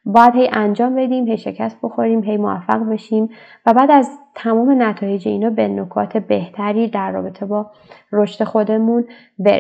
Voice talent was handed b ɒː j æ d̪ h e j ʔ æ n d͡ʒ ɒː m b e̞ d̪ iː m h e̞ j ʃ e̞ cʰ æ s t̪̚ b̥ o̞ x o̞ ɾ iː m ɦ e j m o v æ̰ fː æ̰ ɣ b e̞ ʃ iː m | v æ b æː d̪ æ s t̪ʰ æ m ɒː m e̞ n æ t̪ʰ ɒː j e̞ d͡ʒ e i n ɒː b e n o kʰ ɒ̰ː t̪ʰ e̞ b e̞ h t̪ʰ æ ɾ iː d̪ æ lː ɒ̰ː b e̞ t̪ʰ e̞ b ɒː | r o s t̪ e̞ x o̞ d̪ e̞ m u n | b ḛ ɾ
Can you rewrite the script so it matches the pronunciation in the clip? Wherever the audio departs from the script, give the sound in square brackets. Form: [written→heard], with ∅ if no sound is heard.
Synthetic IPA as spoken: b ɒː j æ d̪ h e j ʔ æ n d͡ʒ ɒː m b e̞ d̪ iː m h e̞ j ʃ e̞ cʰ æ s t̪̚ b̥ o̞ x o̞ ɾ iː m ɦ e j m o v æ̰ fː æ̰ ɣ b e̞ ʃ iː m | v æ b æː d̪ æ [s→z] t̪ʰ æ m ɒː m e̞ n æ t̪ʰ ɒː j e̞ d͡ʒ e i n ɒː b e n o kʰ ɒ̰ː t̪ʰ e̞ b e̞ h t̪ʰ æ ɾ iː d̪ æ [lː→ɾː] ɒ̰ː b e̞ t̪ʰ e̞ b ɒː | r o [s→ʃ] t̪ e̞ x o̞ d̪ e̞ m u n | b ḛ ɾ